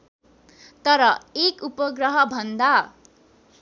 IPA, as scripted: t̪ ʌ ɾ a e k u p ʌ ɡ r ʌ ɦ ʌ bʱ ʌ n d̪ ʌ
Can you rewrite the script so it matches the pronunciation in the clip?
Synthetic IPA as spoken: t̪ ʌ ɾ ʌ e k u p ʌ ɡ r ʌ ɦ ʌ bʱ ʌ n d̪ a